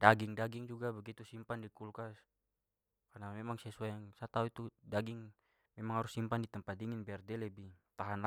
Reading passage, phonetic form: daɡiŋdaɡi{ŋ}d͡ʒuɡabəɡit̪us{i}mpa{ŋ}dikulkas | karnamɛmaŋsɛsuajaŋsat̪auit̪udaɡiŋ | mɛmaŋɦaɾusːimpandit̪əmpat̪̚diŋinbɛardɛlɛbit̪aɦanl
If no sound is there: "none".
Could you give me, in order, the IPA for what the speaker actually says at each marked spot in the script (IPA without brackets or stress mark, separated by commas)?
ŋ, i, n